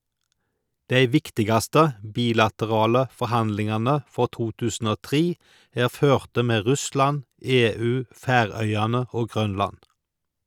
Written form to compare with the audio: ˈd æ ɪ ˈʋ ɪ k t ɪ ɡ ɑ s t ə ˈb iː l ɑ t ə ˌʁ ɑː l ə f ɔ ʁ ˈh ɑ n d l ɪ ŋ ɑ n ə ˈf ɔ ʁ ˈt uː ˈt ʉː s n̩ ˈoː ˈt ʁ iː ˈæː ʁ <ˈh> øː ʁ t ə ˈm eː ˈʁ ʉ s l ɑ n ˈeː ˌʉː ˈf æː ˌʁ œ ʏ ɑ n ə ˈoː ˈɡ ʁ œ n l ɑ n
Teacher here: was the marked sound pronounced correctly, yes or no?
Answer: no